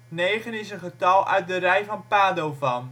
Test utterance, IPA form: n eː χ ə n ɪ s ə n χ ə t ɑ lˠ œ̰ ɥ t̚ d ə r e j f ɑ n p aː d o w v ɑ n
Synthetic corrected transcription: n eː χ ə n ɪ s ə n χ ə t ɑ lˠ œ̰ ɥ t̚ d ə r ɛ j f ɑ n p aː d o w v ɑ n